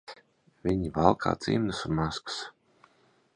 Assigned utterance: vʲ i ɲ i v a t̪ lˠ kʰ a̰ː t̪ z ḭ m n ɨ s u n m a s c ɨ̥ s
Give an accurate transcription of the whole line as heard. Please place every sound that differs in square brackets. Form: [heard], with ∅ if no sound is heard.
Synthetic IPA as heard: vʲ i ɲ i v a [∅] lˠ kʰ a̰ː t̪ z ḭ m n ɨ s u n m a s [k] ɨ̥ s